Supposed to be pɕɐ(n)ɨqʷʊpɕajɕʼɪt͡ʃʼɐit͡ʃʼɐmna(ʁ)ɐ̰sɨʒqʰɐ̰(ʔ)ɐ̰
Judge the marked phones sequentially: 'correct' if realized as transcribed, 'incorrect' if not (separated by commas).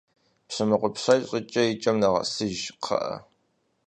incorrect, correct, correct